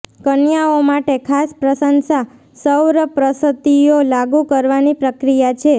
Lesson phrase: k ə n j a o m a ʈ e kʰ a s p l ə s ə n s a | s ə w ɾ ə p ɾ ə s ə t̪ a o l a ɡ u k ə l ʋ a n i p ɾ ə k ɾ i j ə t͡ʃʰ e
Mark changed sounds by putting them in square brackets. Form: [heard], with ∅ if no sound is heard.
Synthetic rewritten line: k ə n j a o m a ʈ e kʰ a s p [ɾ] ə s ə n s a | s ə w ɾ ə p ɾ ə s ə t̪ [i] o l a ɡ u k ə [ɾ] ʋ a n i p ɾ ə k ɾ i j [a] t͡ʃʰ e